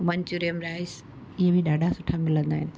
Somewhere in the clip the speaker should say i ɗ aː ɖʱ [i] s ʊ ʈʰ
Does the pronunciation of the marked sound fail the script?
yes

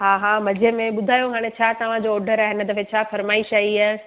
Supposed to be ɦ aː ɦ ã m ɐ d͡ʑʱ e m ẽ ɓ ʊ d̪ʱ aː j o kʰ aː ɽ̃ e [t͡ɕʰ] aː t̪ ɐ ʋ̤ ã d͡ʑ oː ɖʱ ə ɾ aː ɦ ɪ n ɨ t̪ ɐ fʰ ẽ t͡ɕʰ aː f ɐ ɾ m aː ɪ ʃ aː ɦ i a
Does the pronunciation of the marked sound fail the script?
no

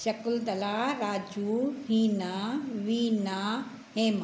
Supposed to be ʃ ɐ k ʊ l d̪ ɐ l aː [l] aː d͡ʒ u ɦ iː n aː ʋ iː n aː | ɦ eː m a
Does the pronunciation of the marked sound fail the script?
yes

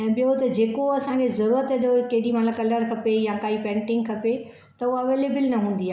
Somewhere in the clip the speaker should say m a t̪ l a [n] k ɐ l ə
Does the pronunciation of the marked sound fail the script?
yes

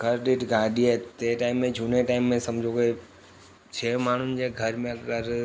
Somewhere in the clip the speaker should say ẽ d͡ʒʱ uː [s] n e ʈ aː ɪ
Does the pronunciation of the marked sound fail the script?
yes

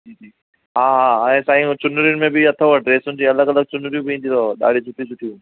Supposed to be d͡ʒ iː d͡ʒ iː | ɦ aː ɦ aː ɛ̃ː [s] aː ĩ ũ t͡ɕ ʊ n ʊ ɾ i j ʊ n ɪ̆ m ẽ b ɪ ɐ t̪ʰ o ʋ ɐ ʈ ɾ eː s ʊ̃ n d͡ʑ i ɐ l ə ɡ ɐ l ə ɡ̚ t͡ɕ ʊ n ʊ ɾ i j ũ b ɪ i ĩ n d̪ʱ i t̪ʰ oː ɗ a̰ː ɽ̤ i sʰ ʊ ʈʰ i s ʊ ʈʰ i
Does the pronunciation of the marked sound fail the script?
no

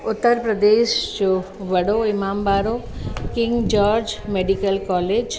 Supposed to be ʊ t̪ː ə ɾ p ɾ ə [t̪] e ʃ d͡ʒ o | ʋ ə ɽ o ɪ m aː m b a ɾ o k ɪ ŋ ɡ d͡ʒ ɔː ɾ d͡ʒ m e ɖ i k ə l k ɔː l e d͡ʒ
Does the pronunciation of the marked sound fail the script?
yes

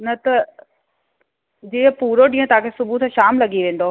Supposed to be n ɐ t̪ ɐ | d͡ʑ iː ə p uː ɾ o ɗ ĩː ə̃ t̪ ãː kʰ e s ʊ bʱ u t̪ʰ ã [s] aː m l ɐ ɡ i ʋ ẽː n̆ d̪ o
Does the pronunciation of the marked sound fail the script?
yes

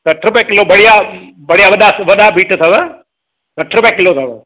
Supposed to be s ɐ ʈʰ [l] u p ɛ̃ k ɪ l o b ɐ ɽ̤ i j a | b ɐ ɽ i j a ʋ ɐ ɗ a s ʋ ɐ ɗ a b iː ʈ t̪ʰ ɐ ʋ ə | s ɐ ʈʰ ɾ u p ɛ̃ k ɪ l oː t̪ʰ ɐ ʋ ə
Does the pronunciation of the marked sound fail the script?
yes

